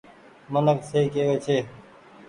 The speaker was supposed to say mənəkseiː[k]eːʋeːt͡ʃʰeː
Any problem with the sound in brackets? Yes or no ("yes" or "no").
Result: no